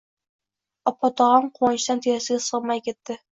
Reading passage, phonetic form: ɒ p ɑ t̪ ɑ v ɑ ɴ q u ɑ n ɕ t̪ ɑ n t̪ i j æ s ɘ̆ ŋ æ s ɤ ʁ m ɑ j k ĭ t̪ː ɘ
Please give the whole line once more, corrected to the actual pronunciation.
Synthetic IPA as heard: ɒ p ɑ t̪ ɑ ʁ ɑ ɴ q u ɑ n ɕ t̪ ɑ n t̪ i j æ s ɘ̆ ɡ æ s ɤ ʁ m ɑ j k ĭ t̪ː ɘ